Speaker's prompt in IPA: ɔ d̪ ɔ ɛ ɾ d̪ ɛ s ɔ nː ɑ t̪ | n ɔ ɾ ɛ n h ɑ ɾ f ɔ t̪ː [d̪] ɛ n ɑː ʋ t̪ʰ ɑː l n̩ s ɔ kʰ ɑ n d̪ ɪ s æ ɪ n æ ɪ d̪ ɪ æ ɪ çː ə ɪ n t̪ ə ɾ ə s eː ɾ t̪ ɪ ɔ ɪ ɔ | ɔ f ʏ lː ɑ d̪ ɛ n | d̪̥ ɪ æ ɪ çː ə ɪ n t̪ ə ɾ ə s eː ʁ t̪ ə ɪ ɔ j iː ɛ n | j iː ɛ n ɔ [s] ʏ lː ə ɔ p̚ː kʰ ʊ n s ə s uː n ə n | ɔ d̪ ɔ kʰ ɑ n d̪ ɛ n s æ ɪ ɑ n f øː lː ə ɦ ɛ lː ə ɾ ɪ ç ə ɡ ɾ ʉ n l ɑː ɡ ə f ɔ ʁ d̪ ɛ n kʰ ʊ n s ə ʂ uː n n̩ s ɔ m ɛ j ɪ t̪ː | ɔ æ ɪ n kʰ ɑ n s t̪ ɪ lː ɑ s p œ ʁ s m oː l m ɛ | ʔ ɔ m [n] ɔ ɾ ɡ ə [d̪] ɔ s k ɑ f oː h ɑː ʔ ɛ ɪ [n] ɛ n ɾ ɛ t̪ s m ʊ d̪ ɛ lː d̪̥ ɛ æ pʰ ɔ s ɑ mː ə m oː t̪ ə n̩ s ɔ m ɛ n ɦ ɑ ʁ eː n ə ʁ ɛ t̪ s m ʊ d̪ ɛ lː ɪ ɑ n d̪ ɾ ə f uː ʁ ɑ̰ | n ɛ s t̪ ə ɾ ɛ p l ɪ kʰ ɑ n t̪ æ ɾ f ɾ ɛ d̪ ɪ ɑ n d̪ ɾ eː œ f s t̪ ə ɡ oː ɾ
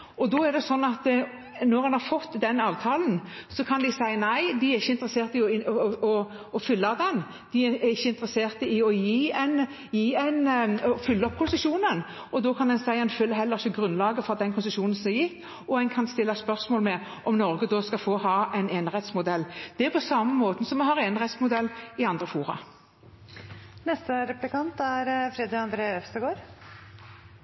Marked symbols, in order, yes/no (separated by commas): yes, no, yes, yes, yes